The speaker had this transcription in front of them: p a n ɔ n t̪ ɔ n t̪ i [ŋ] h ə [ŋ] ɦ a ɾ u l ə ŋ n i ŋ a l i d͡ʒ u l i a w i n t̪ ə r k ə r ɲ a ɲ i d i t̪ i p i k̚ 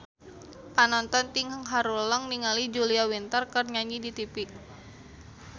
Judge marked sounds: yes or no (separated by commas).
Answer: yes, yes